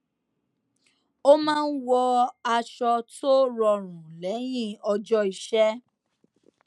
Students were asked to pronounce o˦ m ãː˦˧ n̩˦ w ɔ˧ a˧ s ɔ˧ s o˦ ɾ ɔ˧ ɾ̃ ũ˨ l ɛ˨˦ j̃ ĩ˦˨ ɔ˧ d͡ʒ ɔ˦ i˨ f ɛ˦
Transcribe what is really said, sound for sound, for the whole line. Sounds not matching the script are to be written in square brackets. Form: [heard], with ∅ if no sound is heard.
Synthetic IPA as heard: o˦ m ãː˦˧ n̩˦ w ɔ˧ a˧ [ʃ] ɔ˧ [t] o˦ ɾ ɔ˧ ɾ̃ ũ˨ l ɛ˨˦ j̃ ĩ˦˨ ɔ˧ d͡ʒ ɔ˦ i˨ [ʃ] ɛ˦